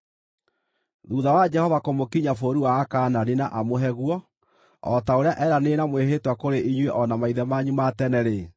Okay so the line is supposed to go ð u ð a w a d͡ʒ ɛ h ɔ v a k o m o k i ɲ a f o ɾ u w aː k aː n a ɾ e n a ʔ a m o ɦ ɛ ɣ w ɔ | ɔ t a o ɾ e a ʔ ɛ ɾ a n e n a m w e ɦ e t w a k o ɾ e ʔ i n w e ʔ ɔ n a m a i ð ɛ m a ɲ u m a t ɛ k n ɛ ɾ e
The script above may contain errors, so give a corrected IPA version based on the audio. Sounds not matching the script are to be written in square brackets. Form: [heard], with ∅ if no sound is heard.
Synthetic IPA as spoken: ð u ð a w a d͡ʒ ɛ h ɔ v a k o m o k i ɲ a f o ɾ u w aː k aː n a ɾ e n a ʔ a m o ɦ ɛ ɣ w ɔ | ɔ t a o ɾ e a ʔ ɛ ɾ a n e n a m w e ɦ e t w a k o ɾ e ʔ i [ɲ] w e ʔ ɔ n a m a i ð ɛ m a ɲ u m a t ɛ [∅] n ɛ ɾ e